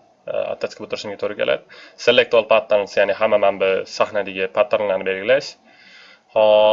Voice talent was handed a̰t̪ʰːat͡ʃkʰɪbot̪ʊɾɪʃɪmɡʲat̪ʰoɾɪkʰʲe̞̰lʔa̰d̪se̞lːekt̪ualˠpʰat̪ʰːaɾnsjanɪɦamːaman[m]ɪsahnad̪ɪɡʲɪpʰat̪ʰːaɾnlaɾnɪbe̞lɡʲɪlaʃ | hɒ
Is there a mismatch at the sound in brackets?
yes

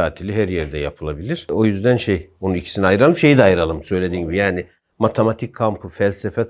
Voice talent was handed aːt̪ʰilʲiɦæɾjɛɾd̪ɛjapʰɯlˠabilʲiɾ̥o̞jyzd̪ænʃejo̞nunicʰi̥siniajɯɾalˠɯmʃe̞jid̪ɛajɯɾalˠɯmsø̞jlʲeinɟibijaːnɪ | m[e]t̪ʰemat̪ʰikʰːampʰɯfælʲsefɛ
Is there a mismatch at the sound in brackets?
yes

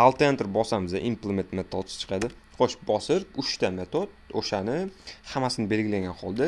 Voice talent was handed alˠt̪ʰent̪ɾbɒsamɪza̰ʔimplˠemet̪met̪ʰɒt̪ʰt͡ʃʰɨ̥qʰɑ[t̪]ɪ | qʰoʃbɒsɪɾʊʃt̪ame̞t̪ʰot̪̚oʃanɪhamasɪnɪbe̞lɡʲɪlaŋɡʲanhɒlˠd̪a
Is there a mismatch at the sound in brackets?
yes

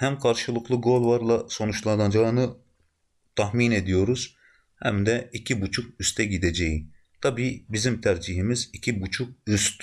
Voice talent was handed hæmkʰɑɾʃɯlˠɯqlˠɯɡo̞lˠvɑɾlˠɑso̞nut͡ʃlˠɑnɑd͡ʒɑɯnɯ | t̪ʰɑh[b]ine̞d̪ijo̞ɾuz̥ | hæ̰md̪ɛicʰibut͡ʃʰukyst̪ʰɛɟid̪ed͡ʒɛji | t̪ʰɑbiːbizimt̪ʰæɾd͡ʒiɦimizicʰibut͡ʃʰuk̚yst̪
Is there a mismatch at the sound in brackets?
yes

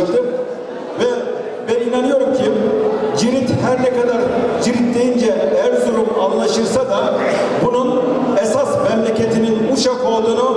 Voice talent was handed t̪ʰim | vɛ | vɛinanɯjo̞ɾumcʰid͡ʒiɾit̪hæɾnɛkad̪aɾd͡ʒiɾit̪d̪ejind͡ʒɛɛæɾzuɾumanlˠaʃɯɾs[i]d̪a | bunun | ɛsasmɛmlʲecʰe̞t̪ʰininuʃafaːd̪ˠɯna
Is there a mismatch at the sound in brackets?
yes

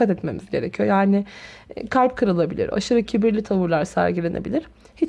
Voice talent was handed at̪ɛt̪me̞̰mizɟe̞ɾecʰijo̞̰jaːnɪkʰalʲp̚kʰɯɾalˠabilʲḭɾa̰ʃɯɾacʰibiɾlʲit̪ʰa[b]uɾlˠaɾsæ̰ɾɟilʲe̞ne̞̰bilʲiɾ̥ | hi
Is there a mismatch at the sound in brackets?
yes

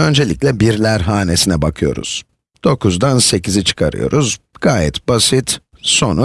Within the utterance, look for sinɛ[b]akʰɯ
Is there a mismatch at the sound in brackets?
no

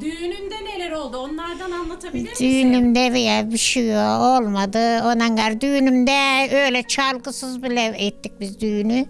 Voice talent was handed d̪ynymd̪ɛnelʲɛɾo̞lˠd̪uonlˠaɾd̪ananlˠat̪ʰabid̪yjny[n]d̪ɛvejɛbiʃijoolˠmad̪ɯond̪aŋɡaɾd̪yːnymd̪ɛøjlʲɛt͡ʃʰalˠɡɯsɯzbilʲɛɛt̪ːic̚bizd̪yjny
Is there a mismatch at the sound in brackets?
yes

